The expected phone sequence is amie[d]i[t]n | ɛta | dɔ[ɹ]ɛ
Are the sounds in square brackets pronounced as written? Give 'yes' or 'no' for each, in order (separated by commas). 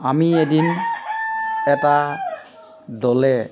yes, no, no